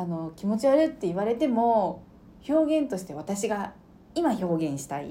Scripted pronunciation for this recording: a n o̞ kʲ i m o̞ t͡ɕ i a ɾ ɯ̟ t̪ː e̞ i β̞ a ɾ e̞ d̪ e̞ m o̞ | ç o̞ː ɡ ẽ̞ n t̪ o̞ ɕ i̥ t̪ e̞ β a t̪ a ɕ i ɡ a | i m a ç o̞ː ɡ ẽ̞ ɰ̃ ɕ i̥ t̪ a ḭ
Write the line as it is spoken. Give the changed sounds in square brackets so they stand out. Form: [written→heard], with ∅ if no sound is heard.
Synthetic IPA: a n o̞ kʲ i m o̞ t͡ɕ i a ɾ ɯ̟ t̪ː e̞ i β̞ a ɾ e̞ [d̪→t̪] e̞ m o̞ | ç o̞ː ɡ ẽ̞ n t̪ o̞ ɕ i̥ t̪ e̞ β a t̪ a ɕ i ɡ a | i m a ç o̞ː ɡ ẽ̞ ɰ̃ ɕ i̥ t̪ a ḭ